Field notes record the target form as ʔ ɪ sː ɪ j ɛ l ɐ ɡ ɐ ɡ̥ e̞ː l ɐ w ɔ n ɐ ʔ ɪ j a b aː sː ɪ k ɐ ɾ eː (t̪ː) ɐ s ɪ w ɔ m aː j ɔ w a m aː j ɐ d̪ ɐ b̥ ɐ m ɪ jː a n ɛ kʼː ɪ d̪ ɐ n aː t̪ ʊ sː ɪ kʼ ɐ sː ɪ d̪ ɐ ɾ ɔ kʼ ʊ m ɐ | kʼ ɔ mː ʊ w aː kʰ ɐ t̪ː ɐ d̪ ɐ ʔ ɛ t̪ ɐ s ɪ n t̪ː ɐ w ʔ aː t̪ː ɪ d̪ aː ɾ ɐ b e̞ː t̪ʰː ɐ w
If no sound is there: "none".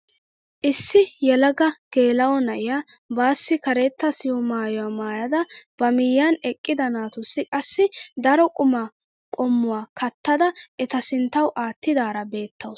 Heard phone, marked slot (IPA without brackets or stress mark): t̪ː